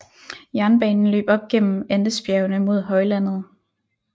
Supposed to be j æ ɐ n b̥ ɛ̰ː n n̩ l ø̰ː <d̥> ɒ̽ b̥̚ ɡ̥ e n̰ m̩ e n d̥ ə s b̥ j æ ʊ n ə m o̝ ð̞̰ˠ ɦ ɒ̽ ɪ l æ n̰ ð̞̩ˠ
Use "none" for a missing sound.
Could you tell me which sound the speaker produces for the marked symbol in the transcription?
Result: b̥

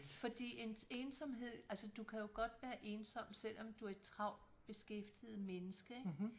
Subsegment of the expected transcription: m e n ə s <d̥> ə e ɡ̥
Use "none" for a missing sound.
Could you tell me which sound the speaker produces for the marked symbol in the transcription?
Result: ɡ̥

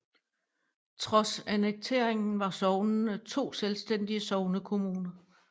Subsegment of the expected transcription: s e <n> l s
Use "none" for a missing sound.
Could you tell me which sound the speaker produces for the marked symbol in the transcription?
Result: none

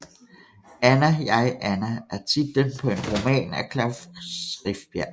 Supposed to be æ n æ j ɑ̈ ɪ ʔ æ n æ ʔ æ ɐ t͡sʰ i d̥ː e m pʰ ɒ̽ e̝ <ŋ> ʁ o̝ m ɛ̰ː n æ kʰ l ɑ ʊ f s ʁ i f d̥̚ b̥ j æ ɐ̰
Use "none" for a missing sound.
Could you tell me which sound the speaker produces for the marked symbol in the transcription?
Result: n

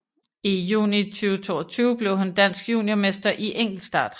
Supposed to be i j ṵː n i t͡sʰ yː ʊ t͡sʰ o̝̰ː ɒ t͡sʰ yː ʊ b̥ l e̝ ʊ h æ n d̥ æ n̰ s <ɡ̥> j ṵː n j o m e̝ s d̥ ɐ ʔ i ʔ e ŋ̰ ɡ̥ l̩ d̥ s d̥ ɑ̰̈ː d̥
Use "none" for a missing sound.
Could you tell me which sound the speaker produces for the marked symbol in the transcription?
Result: ɡ̥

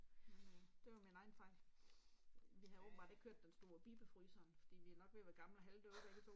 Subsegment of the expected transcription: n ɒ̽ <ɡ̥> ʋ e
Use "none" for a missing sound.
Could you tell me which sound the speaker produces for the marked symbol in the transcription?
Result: ɡ̥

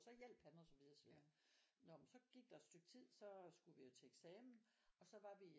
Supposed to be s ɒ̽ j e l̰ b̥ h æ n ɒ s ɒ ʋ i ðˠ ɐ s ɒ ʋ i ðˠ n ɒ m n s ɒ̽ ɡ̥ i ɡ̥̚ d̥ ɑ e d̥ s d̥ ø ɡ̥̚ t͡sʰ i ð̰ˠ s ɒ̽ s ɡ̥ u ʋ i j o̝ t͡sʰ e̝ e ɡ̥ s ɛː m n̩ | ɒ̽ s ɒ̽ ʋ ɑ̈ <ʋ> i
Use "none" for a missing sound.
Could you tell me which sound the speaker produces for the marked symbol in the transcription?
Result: ʋ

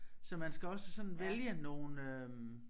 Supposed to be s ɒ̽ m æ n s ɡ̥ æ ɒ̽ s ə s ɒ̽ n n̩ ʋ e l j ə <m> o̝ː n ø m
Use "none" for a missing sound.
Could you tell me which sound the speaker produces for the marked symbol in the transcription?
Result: n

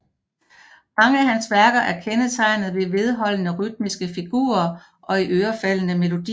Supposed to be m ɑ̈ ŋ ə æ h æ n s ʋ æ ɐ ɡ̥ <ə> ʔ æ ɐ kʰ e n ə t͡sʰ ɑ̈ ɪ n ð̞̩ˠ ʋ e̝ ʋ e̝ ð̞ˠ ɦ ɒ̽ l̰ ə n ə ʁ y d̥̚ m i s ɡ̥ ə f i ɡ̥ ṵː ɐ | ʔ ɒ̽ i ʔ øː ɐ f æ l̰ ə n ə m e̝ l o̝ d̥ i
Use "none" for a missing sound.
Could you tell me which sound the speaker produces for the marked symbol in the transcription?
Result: ɐ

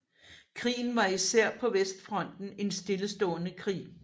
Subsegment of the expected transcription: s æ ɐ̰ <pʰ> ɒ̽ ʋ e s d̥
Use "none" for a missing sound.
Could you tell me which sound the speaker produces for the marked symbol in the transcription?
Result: pʰ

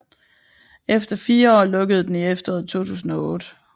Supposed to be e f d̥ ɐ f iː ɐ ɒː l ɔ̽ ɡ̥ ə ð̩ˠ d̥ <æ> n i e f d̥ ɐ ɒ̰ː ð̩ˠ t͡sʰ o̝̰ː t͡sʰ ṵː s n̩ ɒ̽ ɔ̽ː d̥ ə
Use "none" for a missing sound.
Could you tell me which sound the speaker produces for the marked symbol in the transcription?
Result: e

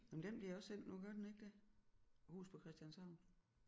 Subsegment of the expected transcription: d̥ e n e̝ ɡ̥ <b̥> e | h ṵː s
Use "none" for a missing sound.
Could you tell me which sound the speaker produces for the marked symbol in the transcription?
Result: d̥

